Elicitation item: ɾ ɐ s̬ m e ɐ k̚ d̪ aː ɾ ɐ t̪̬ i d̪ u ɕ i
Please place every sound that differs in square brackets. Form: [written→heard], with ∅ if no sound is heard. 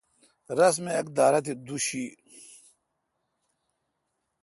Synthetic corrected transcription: ɾ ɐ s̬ m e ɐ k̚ d̪ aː ɾ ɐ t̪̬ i d̪ u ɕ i